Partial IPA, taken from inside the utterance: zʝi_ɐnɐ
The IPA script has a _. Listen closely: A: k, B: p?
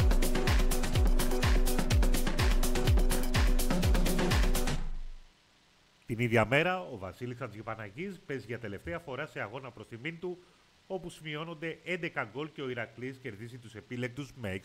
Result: B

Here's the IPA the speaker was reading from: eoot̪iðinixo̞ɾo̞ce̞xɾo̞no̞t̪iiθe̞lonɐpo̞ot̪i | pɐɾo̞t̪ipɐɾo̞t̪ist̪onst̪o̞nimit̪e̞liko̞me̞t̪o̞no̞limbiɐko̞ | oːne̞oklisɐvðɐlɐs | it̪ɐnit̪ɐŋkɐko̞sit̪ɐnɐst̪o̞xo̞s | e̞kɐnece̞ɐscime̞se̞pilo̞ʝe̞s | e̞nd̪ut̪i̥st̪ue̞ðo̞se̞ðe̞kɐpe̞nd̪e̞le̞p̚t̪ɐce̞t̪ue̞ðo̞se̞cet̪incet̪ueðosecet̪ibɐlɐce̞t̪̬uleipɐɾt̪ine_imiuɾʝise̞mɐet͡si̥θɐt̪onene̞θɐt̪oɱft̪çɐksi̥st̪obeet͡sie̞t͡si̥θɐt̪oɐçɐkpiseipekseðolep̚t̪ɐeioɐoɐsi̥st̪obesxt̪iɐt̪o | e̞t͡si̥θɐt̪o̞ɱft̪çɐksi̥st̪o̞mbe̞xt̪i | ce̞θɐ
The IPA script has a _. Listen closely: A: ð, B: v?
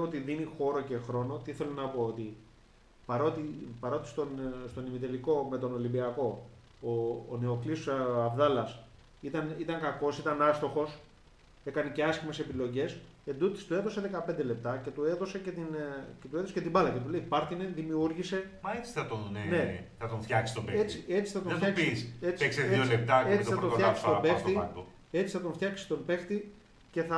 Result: A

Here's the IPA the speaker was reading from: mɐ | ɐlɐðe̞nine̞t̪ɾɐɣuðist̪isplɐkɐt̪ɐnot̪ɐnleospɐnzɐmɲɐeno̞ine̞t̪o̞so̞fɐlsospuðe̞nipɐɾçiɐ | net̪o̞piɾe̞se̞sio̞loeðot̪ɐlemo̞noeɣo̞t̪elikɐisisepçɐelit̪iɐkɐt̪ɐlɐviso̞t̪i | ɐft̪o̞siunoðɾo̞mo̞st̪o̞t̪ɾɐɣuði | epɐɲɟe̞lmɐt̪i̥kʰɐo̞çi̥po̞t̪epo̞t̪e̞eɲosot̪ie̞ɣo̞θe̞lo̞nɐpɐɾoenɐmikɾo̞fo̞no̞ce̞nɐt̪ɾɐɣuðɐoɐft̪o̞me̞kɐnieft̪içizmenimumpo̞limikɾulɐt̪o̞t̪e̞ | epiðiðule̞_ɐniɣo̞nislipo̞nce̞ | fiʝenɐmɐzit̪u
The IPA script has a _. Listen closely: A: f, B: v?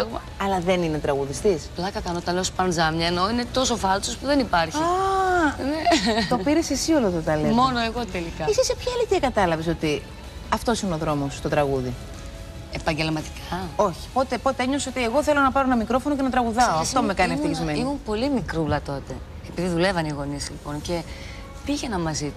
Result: B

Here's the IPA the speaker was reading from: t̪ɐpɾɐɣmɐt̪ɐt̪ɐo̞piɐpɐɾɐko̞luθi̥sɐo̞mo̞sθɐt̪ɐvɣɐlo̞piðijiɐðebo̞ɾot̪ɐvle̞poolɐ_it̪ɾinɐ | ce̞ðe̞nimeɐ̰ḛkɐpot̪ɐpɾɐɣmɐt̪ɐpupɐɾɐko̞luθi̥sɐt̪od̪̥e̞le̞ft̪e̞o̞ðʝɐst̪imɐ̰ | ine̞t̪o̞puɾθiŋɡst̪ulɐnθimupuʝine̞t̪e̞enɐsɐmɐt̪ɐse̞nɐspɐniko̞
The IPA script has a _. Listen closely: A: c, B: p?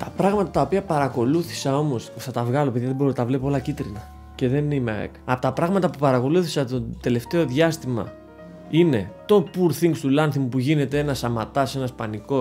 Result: A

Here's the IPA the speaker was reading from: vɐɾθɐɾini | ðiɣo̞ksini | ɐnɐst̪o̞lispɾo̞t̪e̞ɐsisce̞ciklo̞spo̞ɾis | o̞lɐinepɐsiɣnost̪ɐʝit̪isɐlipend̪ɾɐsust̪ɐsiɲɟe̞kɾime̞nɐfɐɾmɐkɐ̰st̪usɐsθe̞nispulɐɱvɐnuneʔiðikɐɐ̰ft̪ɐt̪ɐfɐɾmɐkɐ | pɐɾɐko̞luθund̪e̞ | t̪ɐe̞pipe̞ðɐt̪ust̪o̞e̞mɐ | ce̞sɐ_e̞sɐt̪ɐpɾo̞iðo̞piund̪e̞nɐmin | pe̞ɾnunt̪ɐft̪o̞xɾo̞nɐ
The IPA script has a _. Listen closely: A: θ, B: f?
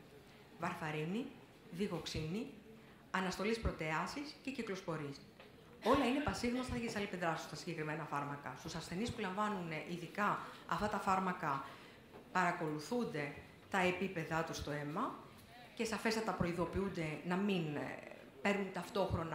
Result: B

